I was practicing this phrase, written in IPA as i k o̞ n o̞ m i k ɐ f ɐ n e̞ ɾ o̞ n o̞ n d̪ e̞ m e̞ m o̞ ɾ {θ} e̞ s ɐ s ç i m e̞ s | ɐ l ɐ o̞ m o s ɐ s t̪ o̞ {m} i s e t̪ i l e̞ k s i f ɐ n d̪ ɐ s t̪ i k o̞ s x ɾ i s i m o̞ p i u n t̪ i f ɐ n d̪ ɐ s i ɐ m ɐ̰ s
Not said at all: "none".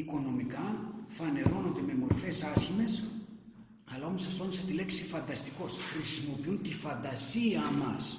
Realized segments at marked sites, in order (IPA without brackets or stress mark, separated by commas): f, n